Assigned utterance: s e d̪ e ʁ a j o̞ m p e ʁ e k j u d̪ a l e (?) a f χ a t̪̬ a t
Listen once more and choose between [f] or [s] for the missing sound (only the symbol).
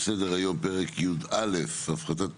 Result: f